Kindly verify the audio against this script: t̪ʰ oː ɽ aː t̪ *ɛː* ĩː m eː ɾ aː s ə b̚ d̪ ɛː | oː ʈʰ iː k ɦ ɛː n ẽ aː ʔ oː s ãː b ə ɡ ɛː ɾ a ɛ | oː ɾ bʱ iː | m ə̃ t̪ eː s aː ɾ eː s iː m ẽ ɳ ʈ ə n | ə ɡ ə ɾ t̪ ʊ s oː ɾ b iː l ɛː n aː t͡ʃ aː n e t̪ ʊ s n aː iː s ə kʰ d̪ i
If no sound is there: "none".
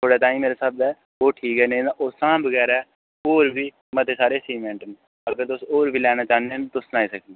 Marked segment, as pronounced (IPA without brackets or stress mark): aː